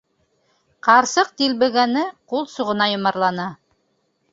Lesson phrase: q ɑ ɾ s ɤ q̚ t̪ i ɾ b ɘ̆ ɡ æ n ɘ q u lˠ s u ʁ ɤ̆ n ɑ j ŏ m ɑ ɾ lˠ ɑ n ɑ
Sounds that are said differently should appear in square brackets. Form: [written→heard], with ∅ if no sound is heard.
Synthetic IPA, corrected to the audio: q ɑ ɾ s ɤ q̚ t̪ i [ɾ→l] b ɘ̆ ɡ æ n ɘ q u lˠ s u ʁ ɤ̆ n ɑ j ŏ m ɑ ɾ lˠ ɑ n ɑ